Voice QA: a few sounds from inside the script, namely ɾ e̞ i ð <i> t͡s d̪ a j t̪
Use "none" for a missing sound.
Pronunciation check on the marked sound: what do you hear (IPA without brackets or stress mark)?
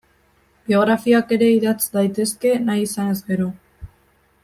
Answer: a